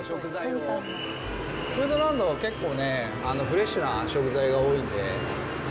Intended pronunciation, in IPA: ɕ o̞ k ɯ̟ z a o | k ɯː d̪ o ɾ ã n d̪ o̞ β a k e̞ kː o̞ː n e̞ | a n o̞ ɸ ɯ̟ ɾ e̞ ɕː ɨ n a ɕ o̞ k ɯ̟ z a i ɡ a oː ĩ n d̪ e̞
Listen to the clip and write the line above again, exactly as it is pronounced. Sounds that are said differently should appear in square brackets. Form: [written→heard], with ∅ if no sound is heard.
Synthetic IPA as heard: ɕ o̞ k ɯ̟ z a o | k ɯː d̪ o ɾ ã n d̪ o̞ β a k e̞ kː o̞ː n e̞ | a n o̞ ɸ ɯ̟ ɾ e̞ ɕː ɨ n a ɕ o̞ k ɯ̟ z a i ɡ a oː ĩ n d̪ e̞